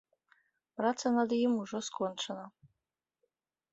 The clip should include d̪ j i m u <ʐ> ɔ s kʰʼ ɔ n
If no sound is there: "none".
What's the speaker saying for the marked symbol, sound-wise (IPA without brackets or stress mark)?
ʐ